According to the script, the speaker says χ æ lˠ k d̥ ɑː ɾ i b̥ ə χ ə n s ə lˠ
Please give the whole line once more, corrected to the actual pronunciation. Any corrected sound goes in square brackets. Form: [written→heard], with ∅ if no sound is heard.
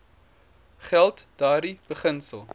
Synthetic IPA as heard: χ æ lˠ [k→t] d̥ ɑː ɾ i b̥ ə χ ə n s ə lˠ